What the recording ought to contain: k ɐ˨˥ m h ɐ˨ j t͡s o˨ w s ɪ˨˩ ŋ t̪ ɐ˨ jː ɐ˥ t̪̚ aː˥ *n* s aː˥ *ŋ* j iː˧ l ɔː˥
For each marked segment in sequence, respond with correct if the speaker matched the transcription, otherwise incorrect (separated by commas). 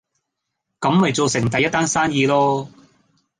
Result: correct, incorrect